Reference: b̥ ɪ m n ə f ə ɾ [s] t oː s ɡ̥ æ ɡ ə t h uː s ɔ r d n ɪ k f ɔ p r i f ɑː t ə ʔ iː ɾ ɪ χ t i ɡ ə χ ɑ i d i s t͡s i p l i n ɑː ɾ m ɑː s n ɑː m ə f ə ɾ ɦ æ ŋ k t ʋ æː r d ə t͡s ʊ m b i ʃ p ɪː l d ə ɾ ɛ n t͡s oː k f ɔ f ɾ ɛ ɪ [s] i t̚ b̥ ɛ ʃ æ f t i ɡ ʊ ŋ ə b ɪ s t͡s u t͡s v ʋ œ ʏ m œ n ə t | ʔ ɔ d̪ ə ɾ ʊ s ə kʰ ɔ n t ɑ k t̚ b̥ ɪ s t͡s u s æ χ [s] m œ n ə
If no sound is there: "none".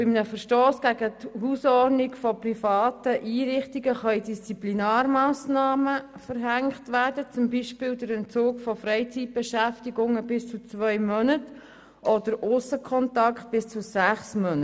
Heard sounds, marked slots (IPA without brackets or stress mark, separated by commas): ʃ, t͡s, s